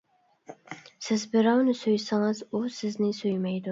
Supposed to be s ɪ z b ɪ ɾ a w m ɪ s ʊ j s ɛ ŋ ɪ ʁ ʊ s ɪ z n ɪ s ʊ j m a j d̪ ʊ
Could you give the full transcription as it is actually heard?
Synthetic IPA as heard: s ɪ z b ɪ ɾ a w n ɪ s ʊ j s a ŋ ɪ z ʊ s ɪ z n ɪ s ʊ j m a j d̪ ʊ